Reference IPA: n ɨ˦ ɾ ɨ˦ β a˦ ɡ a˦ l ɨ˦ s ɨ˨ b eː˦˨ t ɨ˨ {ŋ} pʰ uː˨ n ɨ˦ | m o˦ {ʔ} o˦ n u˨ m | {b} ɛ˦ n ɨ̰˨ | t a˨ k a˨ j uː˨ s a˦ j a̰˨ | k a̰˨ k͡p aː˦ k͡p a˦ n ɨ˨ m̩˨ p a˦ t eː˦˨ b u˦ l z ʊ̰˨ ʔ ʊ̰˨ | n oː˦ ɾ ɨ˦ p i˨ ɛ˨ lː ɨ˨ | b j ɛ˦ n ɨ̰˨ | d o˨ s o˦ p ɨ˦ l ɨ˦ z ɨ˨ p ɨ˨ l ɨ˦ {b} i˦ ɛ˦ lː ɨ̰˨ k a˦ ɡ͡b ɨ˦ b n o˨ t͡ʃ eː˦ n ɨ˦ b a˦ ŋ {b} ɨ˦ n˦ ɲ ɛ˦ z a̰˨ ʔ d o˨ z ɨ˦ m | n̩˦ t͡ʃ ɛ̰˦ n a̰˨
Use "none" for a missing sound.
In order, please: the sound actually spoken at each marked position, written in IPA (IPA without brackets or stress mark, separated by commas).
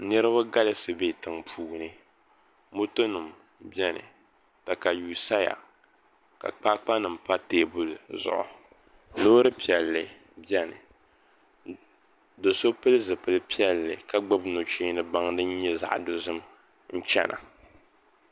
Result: ŋ, t, b, p, d